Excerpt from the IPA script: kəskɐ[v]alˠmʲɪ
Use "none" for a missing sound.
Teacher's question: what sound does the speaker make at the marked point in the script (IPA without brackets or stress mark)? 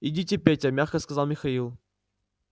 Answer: z